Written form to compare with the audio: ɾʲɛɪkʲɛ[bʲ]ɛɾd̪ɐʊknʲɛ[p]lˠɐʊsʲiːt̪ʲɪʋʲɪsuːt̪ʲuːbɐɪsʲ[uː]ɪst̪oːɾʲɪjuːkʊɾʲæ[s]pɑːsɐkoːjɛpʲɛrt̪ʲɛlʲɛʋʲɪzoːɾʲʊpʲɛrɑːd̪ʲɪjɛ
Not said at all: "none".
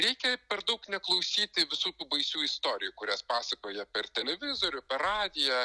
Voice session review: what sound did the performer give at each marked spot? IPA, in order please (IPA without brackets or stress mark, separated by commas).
pʲ, k, uː, s